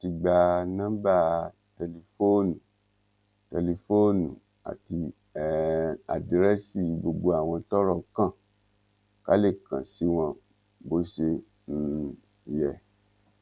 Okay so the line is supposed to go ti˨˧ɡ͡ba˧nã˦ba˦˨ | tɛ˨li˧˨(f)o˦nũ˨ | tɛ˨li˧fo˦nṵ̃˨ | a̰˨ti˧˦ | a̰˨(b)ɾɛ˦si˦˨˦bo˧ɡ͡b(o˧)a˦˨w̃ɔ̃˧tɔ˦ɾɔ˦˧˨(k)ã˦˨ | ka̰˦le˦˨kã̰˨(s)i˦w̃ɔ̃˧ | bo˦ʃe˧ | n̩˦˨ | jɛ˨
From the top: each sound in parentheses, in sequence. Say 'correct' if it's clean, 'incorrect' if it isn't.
correct, incorrect: d, correct, correct, correct

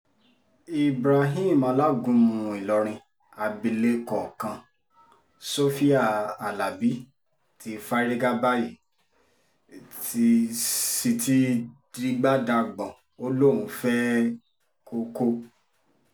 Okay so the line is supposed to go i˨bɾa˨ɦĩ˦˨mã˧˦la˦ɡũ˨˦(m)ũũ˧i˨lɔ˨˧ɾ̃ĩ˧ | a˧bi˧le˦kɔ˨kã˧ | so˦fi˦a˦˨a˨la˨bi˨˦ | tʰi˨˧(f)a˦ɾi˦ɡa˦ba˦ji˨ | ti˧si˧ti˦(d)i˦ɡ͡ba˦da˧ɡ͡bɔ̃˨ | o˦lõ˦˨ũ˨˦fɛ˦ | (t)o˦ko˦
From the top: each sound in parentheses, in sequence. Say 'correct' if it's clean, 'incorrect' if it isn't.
correct, correct, correct, incorrect: k

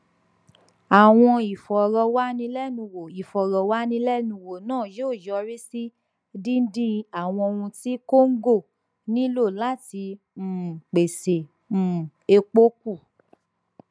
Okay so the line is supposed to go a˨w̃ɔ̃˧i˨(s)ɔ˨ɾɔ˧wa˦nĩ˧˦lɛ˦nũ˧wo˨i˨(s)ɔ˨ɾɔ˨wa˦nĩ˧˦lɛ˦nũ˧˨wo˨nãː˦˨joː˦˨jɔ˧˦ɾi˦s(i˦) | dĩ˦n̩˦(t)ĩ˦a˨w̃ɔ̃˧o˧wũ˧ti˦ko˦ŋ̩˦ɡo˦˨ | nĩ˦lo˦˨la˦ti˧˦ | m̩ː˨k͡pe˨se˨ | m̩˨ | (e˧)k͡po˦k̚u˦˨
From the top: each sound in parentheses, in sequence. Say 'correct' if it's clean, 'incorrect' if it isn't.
incorrect: f, incorrect: f, correct, incorrect: d, correct

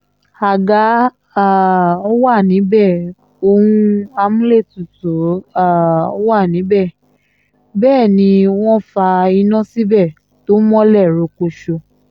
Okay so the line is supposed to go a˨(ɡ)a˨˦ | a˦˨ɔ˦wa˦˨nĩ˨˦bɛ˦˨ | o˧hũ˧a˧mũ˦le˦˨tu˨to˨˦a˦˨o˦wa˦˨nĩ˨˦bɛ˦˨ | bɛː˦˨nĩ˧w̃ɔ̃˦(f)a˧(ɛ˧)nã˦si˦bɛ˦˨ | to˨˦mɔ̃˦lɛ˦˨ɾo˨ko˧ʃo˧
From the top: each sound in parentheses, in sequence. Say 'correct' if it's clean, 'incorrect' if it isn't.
correct, correct, incorrect: i˧

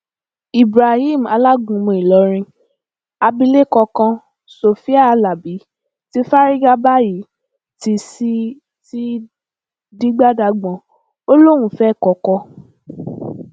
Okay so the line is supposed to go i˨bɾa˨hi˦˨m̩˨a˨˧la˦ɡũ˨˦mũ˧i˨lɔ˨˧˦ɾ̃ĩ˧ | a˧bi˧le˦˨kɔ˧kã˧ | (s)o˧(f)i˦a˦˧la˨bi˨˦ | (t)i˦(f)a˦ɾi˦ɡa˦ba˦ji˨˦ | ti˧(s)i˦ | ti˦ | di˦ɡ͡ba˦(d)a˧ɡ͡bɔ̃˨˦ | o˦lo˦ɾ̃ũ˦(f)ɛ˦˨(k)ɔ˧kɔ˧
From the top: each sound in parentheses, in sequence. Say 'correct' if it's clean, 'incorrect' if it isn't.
correct, correct, correct, correct, correct, correct, correct, correct

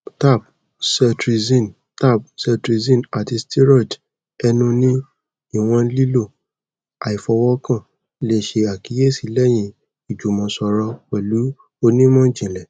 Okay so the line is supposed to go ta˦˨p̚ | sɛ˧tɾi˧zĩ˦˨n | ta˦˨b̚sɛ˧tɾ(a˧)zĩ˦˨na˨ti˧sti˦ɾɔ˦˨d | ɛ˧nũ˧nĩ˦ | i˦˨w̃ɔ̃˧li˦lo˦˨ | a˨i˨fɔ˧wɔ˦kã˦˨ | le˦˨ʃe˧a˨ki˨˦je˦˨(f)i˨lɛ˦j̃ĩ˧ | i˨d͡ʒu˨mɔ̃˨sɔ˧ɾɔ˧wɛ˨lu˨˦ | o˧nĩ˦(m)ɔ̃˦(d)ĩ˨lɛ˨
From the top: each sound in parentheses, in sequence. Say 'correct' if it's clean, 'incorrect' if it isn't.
incorrect: i˧, incorrect: s, correct, incorrect: d͡ʒ

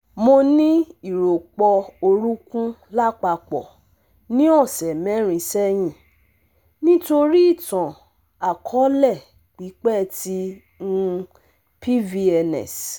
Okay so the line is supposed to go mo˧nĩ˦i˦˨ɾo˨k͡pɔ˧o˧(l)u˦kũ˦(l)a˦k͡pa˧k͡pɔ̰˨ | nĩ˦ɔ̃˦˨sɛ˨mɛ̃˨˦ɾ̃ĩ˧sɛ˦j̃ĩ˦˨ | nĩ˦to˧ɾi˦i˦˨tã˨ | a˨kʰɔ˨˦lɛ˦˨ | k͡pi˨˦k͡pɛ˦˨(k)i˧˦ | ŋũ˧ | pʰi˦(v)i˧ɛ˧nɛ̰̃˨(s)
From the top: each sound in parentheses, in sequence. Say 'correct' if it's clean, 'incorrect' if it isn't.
incorrect: ɾ, correct, incorrect: t, correct, correct

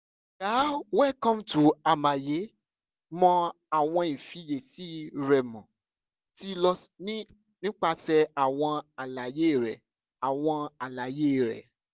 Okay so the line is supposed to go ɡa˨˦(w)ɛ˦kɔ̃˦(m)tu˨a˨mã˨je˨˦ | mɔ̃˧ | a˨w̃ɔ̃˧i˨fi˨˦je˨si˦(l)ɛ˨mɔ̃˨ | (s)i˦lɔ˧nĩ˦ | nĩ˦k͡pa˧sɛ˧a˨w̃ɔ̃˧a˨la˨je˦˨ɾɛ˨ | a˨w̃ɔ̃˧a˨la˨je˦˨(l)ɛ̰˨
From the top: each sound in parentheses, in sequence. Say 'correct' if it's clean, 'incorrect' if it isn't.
correct, correct, incorrect: ɾ, incorrect: t, incorrect: ɾ

